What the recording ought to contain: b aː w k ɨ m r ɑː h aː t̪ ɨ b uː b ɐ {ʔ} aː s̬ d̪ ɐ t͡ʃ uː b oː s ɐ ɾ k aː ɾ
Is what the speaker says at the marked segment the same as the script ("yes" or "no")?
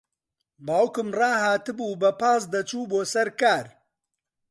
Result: no